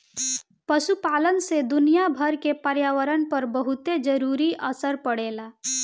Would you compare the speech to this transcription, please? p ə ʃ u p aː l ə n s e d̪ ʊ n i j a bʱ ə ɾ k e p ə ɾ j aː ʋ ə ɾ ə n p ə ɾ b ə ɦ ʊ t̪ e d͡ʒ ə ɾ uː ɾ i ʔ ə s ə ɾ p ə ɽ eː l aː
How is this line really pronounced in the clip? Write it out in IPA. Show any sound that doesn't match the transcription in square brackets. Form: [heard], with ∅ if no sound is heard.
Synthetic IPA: p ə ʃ u p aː l ə n s e d̪ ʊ n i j a bʱ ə ɾ k e p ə ɾ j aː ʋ ə ɾ ə n p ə ɾ b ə ɦ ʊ t̪ e d͡ʒ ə ɾ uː ɾ i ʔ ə s ə ɾ p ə ɽ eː l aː